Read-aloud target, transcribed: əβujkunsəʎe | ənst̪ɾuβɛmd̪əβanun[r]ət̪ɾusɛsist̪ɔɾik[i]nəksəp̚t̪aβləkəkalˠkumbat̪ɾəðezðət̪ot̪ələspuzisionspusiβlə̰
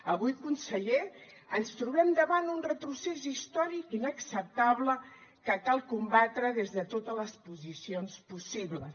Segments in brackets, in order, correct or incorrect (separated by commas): correct, correct